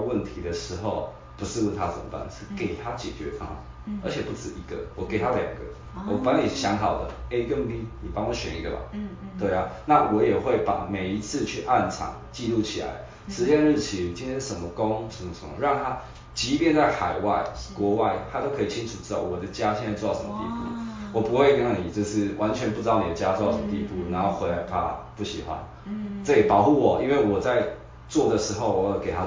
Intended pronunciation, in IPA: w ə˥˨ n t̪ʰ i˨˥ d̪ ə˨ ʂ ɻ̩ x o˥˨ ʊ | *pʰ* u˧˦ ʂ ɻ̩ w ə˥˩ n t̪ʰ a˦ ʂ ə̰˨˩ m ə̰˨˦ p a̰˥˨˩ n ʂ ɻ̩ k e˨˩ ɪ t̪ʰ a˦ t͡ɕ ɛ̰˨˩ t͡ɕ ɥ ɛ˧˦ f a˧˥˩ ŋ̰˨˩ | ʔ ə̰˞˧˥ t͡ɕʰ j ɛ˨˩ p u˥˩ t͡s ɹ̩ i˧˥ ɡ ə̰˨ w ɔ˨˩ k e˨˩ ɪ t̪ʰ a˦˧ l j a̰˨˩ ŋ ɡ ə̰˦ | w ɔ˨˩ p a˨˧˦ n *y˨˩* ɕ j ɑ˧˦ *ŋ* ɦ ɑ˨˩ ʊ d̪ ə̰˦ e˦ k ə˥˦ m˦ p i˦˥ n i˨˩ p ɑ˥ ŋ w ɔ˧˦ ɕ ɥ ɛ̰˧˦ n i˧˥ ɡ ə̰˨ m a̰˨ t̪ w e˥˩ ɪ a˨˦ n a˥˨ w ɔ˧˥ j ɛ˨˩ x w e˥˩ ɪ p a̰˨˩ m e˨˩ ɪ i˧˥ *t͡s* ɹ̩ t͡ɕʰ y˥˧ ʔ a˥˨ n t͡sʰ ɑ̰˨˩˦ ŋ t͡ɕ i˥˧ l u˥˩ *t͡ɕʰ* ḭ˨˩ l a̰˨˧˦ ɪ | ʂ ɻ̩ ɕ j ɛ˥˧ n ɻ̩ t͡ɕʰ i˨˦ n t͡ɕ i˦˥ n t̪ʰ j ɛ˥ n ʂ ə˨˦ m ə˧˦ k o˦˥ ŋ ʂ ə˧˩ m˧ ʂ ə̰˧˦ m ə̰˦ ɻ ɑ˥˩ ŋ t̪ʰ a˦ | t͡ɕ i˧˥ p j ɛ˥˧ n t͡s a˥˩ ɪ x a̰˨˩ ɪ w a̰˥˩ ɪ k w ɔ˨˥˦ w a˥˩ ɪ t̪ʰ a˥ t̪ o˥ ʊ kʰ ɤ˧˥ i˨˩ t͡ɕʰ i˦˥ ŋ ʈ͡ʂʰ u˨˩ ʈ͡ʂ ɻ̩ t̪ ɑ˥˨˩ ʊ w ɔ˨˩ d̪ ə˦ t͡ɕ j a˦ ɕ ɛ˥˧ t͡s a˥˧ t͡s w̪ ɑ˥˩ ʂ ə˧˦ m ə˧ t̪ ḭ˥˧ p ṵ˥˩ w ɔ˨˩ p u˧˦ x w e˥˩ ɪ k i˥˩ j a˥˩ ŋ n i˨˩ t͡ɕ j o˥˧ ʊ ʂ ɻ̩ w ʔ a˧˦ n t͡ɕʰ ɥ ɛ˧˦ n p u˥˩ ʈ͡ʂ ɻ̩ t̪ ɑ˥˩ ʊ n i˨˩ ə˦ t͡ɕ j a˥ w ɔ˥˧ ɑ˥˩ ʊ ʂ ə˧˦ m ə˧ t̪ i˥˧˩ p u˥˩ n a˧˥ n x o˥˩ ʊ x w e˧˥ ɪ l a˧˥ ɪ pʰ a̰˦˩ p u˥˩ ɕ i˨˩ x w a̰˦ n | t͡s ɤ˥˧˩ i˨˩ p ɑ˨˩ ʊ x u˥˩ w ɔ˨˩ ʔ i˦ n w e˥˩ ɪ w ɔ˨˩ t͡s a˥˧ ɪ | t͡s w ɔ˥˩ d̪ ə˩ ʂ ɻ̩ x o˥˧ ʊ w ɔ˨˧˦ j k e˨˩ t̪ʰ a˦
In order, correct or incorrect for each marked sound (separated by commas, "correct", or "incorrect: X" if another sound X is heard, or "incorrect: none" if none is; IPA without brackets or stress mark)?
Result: incorrect: p, incorrect: i˨˩, correct, incorrect: t͡sʰ, correct